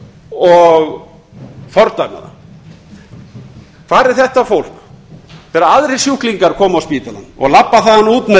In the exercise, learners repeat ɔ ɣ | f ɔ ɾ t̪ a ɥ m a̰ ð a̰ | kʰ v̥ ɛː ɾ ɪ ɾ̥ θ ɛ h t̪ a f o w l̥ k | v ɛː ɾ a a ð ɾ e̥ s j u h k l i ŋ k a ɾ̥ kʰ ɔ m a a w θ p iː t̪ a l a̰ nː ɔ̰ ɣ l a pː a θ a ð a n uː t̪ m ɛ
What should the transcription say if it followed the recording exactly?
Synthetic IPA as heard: ɔ ɣ | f ɔ ɾ t̪ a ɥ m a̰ ð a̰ | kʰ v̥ aː ɾ ɪ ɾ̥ θ ɛ h t̪ a f o w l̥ k | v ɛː ɾ a a ð ɾ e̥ s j u h k l i ŋ k a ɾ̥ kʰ ɔː m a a w s p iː t̪ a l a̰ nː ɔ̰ ɣ l a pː a θ a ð a n uː t̪ m ɛ